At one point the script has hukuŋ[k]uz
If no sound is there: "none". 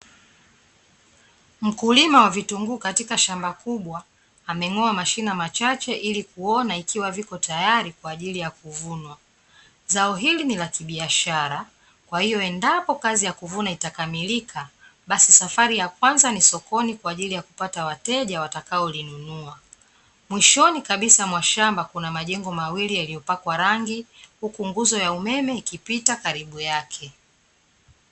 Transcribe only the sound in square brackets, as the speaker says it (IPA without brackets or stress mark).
ɡ